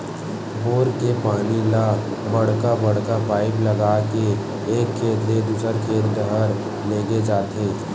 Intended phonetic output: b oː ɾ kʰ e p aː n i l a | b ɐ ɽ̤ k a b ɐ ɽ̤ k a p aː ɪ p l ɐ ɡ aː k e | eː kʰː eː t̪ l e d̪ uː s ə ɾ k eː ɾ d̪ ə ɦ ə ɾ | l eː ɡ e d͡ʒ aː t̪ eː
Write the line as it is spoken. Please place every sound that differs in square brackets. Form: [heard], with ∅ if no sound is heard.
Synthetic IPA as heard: b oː ɾ [k] e p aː n i l a | b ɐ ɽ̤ k a b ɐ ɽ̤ k a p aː ɪ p l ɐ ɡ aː k e | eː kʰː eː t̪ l e d̪ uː s ə ɾ [kʰ] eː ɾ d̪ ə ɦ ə ɾ | l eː ɡ e d͡ʒ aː t̪ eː